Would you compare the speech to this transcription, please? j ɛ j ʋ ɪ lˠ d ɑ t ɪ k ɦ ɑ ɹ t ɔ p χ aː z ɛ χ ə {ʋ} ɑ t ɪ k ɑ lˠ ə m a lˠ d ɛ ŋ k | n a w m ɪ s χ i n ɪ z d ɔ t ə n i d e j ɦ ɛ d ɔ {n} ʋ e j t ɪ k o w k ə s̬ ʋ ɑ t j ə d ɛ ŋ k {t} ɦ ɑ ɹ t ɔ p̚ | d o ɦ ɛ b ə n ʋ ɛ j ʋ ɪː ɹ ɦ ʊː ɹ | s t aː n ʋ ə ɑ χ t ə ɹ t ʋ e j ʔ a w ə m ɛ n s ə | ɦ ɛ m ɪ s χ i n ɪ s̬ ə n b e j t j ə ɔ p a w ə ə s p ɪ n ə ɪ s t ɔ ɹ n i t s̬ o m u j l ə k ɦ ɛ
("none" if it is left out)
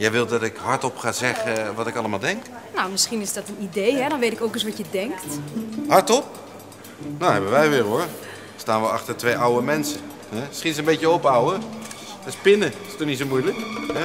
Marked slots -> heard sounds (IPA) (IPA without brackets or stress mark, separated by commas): ʋ, n, t